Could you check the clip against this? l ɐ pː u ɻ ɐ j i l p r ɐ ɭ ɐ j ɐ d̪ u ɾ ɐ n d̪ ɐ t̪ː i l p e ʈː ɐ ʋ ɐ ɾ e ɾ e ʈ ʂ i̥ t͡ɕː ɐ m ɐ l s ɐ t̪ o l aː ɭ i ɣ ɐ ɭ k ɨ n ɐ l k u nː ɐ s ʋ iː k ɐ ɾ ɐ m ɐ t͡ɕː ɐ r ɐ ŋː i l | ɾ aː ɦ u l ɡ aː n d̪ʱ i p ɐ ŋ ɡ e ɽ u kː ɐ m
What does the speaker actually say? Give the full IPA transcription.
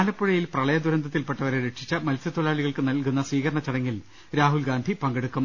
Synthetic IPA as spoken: l ɐ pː u ɻ ɐ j i l p r ɐ ɭ ɐ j ɐ d̪ u ɾ ɐ n d̪ ɐ t̪ː i l p e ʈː ɐ ʋ ɐ ɾ e ɾ e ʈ ʂ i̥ t͡ɕː ɐ m ɐ l s ɐ t̪ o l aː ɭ i ɣ ɐ ɭ k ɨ n ɐ l k u nː ɐ s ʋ iː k ɐ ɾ ɐ ɳ ɐ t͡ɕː ɐ ɽ ɐ ŋː i l | ɾ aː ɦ u l ɡ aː n d̪ʱ i p ɐ ŋ ɡ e ɽ u kː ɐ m